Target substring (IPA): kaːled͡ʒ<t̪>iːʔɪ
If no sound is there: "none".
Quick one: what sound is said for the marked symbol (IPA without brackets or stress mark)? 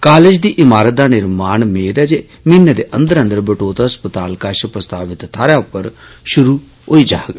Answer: d̪